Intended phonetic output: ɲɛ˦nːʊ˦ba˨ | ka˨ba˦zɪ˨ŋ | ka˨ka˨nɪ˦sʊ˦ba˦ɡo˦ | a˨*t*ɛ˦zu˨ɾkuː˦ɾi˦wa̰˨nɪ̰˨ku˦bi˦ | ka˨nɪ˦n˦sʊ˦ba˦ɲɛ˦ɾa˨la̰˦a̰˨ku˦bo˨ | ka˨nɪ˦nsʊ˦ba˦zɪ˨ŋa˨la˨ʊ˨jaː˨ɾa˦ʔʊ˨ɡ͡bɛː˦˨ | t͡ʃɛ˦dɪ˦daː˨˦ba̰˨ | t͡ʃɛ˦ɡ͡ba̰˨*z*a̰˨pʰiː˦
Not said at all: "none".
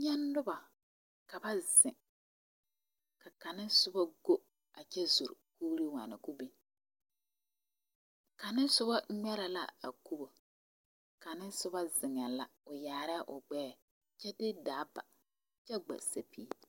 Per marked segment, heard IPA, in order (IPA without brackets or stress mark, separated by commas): t͡ʃ, s